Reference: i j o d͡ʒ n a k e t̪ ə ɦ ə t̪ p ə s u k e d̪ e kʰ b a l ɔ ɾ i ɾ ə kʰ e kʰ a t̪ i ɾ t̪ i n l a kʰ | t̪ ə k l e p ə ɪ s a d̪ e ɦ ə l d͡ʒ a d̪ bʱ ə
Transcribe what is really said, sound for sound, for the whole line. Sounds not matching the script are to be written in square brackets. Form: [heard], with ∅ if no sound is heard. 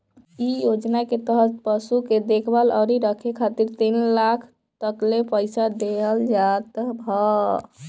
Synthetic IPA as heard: i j o d͡ʒ n a k e t̪ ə ɦ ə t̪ p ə s u k e d̪ e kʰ b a l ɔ ɾ i ɾ ə kʰ e kʰ a t̪ i ɾ t̪ i n l a kʰ | t̪ ə k l e p ə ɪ s a d̪ e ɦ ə l d͡ʒ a [t̪] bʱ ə